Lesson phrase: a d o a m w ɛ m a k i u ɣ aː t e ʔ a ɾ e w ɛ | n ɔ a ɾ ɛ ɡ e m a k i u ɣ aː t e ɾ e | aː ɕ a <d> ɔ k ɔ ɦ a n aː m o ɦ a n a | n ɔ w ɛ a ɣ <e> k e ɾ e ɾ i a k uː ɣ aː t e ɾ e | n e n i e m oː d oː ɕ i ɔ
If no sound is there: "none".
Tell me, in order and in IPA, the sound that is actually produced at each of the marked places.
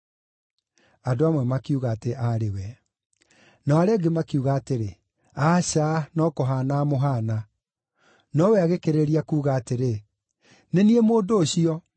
n, e

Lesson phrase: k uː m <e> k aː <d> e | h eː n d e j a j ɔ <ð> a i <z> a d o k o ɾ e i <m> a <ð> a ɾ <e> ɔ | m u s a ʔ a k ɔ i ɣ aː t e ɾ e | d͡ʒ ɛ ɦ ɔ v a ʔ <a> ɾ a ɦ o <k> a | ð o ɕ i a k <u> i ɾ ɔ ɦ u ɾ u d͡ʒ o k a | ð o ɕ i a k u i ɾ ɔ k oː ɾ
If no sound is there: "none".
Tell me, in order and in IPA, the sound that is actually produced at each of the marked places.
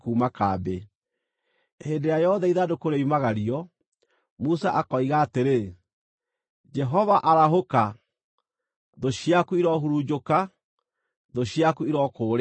a, b, ð, ð, m, ɣ, i, a, k, u

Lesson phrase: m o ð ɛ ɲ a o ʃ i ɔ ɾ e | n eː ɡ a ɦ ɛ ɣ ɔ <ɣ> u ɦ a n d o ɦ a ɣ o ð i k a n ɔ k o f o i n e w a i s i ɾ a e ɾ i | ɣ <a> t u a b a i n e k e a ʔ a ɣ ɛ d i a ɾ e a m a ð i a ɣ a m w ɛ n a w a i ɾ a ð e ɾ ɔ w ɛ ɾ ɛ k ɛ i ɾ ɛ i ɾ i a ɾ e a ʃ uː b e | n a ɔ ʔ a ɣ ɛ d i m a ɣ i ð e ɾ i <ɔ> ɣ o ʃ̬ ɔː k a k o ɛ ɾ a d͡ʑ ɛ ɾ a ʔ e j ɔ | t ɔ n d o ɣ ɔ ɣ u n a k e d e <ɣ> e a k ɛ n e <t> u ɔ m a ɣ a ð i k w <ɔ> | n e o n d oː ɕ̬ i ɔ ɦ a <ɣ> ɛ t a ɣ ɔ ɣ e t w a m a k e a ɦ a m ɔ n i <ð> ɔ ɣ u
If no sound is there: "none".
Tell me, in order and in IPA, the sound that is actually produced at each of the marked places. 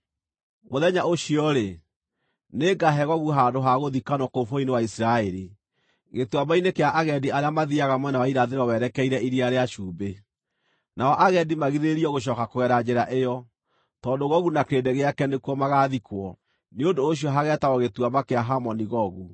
ɣ, e, ɔ, ɣ, k, ɔ, ɣ, ɣ

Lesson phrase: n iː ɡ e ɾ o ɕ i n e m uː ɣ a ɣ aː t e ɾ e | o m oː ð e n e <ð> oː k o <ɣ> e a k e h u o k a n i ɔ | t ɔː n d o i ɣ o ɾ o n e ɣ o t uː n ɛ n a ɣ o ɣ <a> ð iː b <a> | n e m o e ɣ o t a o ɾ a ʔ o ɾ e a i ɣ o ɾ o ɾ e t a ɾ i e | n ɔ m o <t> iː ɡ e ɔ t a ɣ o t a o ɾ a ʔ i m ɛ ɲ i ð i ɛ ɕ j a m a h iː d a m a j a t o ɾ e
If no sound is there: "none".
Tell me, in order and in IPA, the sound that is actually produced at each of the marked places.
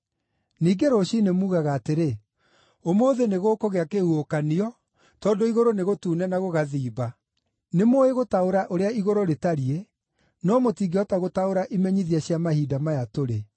ɣ, ɣ, a, a, t

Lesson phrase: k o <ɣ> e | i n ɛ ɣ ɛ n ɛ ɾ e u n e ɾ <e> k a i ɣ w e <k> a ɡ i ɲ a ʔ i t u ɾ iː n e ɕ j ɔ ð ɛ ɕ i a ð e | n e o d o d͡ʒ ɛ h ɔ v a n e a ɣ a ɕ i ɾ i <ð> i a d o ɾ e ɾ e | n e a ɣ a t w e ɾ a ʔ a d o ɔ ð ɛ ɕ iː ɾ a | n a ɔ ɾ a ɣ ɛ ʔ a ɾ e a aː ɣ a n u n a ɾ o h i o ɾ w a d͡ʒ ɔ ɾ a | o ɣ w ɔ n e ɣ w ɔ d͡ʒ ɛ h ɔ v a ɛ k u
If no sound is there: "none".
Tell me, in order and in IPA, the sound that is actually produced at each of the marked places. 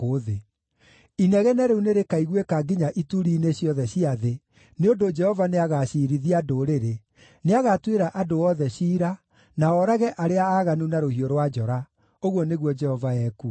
ð, e, k, ð

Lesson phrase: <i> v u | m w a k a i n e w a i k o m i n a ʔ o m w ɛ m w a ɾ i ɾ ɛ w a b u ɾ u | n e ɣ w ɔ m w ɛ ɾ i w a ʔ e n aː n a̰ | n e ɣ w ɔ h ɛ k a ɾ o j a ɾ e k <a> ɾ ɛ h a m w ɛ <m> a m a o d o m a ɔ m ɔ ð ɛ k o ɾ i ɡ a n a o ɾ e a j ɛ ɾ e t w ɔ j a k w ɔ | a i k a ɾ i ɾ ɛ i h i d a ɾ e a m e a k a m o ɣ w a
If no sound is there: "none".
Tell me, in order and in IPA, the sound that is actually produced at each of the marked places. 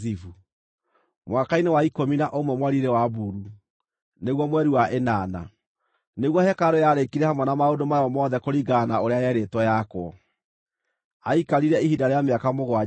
i, i, n

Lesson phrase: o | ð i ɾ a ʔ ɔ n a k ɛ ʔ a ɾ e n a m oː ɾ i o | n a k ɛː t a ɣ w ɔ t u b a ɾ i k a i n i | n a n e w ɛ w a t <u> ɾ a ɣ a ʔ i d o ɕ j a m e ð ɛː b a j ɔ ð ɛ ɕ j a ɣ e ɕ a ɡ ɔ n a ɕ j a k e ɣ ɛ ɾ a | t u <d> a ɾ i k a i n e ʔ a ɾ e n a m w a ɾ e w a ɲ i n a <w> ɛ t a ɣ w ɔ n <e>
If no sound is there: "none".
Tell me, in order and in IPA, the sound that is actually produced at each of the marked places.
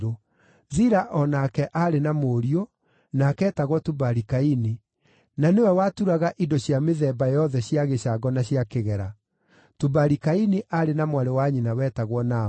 u, b, w, a

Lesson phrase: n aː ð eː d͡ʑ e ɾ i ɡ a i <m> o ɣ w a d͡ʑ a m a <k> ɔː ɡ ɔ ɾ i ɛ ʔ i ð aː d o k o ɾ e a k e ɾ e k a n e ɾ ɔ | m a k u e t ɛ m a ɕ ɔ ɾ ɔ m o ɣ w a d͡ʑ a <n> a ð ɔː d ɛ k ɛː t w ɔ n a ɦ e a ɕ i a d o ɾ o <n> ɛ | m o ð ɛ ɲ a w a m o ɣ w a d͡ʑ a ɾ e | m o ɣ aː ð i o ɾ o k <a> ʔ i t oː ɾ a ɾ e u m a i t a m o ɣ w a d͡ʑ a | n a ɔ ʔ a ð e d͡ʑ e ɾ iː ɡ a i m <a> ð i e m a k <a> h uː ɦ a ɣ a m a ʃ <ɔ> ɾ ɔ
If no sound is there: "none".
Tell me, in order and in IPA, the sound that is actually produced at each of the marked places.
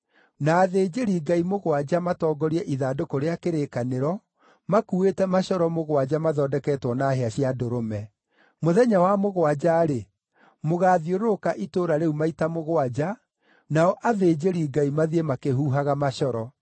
m, t, m, m, a, a, e, ɔ

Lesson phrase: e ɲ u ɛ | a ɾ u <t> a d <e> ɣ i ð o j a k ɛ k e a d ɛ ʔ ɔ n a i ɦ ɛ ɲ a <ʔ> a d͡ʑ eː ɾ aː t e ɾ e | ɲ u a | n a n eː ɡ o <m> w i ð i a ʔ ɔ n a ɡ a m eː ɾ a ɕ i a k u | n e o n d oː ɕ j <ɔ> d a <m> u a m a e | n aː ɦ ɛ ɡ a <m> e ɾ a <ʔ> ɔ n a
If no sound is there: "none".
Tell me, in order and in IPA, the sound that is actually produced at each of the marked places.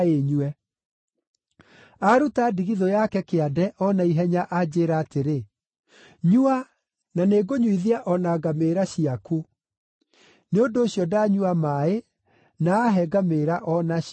t, i, ʔ, ɲ, ɔ, ɲ, m, ʔ

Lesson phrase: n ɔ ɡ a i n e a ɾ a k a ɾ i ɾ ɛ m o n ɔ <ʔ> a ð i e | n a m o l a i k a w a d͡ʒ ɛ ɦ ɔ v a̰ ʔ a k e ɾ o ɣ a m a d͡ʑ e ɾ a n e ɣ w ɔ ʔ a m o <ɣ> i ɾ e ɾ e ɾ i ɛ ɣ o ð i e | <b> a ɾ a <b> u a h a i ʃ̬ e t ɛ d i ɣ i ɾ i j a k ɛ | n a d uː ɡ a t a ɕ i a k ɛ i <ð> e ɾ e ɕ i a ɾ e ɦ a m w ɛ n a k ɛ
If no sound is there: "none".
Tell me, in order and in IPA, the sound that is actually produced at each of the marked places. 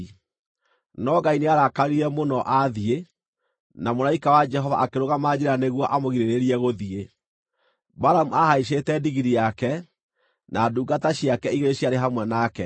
ʔ, ɣ, b, m, ɣ

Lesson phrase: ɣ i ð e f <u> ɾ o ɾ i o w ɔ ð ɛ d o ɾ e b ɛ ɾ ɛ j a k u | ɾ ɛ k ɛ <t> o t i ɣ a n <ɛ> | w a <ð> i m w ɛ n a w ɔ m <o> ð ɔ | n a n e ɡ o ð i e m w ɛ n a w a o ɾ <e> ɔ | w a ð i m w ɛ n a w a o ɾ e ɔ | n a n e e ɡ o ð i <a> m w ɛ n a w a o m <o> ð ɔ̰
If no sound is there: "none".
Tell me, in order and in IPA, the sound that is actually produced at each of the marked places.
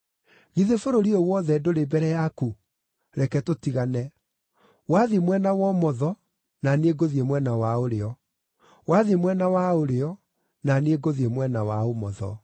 o, t, ɛ, ð, ɔ, e, e, ɔ

